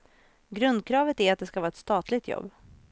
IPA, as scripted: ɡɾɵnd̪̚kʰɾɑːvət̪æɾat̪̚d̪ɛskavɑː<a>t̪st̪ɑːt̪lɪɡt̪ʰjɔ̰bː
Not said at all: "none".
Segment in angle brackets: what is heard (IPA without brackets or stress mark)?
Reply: ɛ